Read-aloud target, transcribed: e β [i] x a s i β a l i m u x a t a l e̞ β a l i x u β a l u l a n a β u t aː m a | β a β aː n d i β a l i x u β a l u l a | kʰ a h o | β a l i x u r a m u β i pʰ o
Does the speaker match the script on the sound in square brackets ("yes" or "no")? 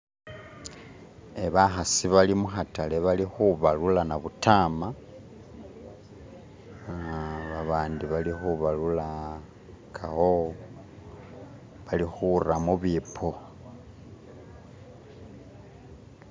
no